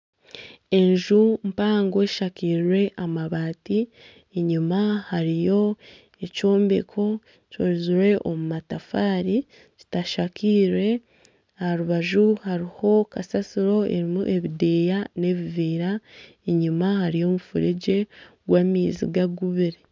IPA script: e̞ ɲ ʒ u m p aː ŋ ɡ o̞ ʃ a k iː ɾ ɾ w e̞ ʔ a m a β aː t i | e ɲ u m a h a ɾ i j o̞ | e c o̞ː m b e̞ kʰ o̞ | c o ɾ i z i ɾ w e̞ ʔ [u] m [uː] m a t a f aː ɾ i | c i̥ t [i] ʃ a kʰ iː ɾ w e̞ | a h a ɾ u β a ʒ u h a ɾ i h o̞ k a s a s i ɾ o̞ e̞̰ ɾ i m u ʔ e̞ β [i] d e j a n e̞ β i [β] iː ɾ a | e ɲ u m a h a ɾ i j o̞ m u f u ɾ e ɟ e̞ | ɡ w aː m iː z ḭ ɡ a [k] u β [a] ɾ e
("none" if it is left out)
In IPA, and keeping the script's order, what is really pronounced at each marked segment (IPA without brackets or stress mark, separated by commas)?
o, u, a, i, v, ɡ, i